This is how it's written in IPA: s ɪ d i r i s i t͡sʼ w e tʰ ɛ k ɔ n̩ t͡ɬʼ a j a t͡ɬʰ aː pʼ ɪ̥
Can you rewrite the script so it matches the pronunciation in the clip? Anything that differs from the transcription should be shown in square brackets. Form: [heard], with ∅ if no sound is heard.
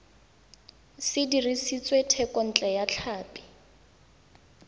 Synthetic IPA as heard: s ɪ d i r i s i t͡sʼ w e tʰ ɛ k ɔ n̩ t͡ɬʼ [ɛ] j a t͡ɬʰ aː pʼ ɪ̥

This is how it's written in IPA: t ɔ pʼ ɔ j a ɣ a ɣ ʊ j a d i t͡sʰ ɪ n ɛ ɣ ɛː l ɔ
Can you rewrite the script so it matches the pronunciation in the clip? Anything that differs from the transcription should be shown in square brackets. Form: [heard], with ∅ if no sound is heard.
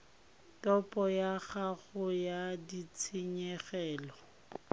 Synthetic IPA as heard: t ɔ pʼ ɔ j a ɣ a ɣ ʊ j a d i t͡sʰ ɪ [ɲ] ɛ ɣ ɛː l ɔ

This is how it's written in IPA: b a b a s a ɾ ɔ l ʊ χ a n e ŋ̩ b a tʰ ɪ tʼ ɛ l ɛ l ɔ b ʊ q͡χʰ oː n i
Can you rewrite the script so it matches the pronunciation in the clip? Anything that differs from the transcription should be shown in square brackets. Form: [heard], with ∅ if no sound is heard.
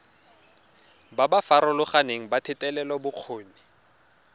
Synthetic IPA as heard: b a b a [f] a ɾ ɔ l ʊ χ a n e ŋ̩ b a tʰ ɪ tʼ ɛ l ɛ l ɔ b ʊ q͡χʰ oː n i

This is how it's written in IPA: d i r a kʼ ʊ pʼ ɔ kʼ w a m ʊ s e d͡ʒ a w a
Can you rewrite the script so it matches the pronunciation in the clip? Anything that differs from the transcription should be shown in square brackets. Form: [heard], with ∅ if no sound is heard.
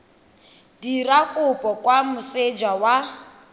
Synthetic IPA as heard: d i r a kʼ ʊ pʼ ɔ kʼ w a m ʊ s e d͡ʒ a w a

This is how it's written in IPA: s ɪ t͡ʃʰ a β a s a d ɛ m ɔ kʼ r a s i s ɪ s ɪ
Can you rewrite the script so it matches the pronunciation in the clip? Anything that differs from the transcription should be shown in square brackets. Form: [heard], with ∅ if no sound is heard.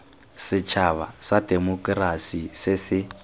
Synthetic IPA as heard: s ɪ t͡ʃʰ a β a s a d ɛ m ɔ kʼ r a s i s ɪ s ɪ

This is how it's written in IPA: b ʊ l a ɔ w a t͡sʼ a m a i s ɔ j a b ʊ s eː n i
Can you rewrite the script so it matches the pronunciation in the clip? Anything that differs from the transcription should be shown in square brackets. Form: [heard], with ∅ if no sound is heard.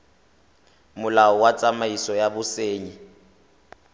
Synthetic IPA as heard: [m] ʊ l a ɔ w a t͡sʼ a m a i s ɔ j a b ʊ s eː [ɲ] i

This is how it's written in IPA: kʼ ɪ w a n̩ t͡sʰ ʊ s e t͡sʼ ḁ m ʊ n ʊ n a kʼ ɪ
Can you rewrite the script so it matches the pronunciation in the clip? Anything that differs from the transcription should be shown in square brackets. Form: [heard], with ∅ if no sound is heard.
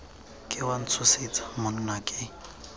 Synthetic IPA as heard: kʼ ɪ w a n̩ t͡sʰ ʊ s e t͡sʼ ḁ m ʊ n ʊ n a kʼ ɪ

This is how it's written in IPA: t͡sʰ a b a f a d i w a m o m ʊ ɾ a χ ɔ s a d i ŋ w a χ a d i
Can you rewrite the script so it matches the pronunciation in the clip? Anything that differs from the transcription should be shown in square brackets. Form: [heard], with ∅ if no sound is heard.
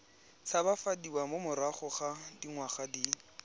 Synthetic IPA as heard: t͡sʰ a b a f a d i w a m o m ʊ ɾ a χ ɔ [χ] a d i ŋ w a χ a d i

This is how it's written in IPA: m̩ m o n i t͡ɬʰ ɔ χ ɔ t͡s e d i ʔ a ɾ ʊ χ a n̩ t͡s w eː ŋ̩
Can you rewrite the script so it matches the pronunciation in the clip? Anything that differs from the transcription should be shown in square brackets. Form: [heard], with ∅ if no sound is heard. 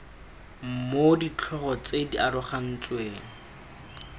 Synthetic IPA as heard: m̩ m o [d] i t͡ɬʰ ɔ χ ɔ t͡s e d i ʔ a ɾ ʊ χ a n̩ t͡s w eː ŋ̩

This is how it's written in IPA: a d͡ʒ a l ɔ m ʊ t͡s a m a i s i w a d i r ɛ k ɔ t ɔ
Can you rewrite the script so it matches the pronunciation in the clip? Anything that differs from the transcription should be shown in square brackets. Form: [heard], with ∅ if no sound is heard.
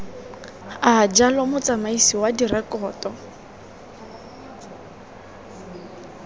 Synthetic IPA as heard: a d͡ʒ a l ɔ m ʊ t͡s a m a i s i w a d i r ɛ k [ɔː] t ɔ

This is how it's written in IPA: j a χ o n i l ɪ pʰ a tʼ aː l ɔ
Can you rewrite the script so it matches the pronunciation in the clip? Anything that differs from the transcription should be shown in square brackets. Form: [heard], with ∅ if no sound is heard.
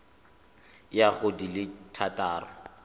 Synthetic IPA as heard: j a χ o [d] i l ɪ [tʰ] a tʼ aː [r] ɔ

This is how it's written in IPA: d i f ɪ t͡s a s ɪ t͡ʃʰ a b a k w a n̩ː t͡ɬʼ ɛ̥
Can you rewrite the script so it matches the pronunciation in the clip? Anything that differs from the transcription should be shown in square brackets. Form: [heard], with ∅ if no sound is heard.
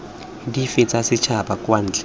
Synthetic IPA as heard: d i f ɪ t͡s a s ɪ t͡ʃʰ a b a k w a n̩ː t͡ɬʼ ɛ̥

